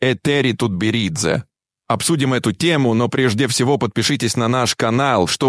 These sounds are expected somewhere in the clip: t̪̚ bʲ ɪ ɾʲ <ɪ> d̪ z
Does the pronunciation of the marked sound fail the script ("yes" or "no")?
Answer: yes